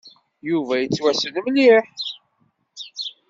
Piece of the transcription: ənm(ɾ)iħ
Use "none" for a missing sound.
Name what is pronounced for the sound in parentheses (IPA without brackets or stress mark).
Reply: l